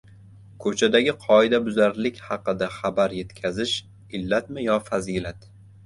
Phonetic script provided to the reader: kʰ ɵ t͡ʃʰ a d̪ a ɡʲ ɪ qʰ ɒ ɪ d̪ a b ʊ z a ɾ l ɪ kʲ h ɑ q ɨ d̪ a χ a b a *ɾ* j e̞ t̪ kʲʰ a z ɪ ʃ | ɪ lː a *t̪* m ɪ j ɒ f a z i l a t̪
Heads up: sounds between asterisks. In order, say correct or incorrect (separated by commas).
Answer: correct, correct